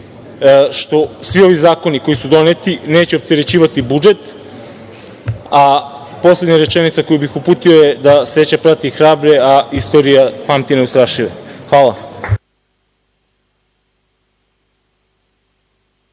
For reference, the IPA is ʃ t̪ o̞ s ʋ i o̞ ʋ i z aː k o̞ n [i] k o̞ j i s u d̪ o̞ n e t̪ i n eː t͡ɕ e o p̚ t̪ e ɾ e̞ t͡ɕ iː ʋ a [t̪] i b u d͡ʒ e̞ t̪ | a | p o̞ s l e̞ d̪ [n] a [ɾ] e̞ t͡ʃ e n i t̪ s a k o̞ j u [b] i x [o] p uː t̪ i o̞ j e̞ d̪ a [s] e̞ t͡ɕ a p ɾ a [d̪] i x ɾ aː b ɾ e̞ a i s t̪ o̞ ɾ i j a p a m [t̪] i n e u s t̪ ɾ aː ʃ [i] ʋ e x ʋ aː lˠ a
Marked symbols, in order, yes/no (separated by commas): yes, yes, no, yes, yes, no, yes, no, yes, yes